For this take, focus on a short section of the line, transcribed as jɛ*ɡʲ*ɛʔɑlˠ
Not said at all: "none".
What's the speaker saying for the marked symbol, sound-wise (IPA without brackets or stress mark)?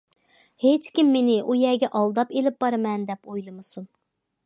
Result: ɡʲ